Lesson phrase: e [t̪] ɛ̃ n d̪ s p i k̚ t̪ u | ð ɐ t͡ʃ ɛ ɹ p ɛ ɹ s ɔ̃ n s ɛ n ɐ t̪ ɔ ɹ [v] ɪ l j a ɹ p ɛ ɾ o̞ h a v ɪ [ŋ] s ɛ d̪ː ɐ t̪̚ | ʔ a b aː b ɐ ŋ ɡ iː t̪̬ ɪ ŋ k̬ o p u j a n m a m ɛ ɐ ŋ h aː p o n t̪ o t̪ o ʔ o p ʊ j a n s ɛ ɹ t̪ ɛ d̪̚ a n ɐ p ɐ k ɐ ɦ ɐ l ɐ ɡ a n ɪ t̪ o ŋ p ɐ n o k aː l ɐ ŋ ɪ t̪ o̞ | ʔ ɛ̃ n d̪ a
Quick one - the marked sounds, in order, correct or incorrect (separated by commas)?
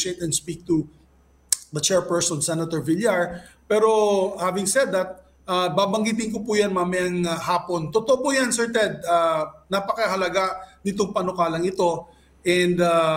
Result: correct, correct, correct